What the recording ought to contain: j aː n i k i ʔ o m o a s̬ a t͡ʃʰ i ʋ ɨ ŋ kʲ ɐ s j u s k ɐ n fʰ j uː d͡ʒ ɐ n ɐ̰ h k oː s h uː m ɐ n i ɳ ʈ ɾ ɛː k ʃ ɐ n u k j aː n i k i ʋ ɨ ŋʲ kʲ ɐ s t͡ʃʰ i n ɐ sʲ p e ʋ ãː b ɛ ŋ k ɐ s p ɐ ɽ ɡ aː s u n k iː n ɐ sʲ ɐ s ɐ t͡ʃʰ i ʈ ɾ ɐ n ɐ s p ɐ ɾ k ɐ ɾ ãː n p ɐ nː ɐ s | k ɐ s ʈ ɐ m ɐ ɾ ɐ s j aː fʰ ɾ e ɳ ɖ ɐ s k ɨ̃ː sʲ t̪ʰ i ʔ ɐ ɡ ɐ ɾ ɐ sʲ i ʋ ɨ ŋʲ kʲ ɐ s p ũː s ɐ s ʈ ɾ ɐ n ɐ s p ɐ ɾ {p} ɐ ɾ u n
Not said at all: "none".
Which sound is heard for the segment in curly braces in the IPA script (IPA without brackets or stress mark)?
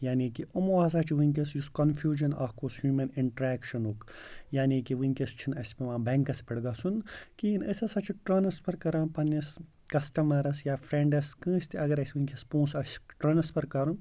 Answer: k